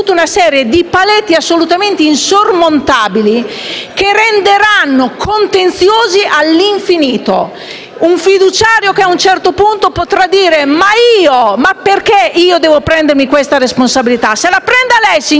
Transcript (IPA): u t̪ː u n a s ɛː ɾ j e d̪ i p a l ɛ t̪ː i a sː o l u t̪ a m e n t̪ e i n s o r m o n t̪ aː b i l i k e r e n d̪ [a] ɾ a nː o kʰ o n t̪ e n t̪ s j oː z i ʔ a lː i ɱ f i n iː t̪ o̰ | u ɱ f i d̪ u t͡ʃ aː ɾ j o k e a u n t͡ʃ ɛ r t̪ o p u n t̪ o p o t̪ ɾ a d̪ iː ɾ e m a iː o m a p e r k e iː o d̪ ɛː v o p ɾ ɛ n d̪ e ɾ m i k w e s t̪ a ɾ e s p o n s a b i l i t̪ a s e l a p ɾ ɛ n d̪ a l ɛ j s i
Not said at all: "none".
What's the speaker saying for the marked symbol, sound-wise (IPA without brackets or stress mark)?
e